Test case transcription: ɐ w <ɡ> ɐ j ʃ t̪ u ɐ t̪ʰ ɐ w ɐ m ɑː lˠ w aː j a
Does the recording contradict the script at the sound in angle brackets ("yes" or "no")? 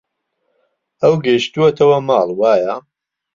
no